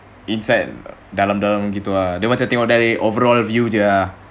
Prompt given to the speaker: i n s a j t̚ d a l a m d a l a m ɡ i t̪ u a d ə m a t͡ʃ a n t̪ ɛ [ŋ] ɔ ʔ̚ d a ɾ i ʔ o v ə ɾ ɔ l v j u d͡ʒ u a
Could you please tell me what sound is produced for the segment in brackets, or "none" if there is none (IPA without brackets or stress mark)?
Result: ŋ